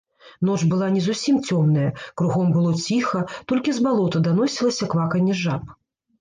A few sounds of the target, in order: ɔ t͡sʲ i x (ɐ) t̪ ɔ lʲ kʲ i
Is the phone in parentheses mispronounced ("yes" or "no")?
no